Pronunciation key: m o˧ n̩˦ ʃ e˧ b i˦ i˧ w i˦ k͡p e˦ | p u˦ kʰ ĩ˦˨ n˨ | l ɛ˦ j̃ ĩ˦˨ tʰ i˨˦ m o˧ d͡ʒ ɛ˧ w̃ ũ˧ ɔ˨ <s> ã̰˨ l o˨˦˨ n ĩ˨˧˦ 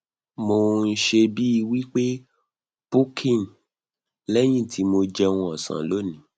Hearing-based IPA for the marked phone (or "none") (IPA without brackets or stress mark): s